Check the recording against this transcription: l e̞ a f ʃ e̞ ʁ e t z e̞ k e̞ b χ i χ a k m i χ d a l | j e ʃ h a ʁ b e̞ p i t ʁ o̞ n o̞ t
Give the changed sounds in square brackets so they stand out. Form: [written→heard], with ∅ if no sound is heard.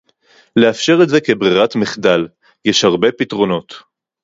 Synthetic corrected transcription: l e̞ a f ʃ e̞ ʁ e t z e̞ k e̞ b [χ→ʁ] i [χ→ʁ] a [k→t] m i χ d a l | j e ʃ h a ʁ b e̞ p i t ʁ o̞ n o̞ t